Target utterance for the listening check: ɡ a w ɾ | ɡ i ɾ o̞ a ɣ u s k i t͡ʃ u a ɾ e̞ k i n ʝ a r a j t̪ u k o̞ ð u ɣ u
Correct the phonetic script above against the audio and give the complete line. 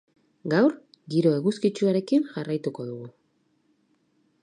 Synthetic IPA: ɡ a w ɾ | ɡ i ɾ o̞ e ɣ u s k i t͡ʃ u a ɾ e̞ k i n ʝ a r a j t̪ u k o̞ ð u ɣ u